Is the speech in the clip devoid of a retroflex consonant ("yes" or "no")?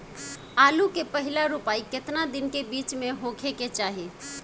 yes